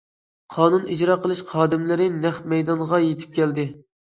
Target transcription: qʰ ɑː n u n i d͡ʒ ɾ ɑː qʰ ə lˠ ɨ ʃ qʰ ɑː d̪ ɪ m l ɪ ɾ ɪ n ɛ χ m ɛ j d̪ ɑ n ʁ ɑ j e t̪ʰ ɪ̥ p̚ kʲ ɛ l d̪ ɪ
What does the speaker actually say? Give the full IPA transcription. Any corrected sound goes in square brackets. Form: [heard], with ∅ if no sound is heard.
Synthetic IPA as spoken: qʰ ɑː n u n i d͡ʒ ɾ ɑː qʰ ə lˠ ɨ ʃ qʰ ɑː d̪ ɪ m l ɪ ɾ ɪ n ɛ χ m ɛ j d̪ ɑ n ʁ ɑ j e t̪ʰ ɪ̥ p̚ kʲ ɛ l d̪ ɪ

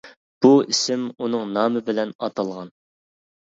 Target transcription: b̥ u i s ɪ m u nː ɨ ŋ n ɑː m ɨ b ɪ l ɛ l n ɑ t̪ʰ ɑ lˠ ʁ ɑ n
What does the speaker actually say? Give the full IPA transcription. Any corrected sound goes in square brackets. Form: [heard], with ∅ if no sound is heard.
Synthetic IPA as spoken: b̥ u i s ɪ m u [n] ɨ ŋ n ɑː m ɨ b ɪ l ɛ [∅] n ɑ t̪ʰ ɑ lˠ ʁ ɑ n

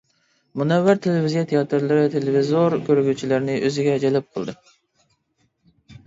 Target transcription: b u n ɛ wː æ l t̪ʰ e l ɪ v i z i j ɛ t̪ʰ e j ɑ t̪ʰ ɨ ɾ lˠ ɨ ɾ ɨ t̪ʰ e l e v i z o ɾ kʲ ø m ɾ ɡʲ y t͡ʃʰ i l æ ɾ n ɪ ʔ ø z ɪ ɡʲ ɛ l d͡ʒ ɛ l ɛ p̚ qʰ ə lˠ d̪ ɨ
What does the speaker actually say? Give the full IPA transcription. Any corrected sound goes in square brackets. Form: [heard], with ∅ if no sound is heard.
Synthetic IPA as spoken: [m] u n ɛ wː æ [ɾ] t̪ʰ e l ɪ v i z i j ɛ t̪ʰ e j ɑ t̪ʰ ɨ ɾ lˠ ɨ ɾ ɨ t̪ʰ e l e v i z o ɾ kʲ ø [∅] ɾ ɡʲ y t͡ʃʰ i l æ ɾ n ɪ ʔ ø z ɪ ɡʲ ɛ [∅] d͡ʒ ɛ l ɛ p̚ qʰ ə lˠ d̪ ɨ

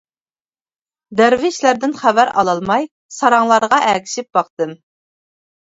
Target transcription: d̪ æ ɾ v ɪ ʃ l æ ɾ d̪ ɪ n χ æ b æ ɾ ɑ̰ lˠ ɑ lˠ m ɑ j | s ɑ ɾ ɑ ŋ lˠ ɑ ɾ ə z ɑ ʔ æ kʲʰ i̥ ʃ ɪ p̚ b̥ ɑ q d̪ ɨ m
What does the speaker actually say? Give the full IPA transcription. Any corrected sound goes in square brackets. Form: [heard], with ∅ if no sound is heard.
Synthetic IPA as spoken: d̪ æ ɾ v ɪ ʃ l æ ɾ d̪ ɪ n χ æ [v] æ ɾ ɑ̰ lˠ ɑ lˠ m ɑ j | s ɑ ɾ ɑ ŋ lˠ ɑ ɾ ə [ʁ] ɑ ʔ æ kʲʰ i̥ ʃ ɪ p̚ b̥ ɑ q [t̪] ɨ m

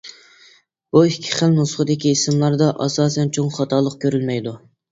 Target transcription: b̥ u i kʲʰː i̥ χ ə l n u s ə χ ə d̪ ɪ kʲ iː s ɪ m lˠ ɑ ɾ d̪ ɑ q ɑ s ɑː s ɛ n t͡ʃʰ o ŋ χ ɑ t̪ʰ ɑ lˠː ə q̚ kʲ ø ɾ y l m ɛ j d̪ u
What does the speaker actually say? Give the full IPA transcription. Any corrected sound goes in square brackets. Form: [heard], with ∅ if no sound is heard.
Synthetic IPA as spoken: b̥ u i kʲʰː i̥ χ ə l n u s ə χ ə d̪ ɪ kʲ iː s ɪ m lˠ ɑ ɾ d̪ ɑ [ʔ] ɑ s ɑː s ɛ n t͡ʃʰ o ŋ χ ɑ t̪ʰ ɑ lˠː ə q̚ kʲ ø ɾ y l m ɛ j d̪ u

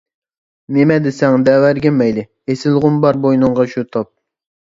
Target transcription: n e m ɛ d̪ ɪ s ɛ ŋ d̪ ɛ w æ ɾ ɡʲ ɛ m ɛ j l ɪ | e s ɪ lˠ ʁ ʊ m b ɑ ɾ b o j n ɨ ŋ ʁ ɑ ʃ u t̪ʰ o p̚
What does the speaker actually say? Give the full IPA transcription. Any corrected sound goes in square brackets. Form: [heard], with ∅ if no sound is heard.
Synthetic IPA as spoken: n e m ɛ d̪ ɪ s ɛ ŋ d̪ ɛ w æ ɾ ɡʲ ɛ m ɛ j l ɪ | e s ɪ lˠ ʁ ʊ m b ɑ ɾ b o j n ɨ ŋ ʁ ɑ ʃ u t̪ʰ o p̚

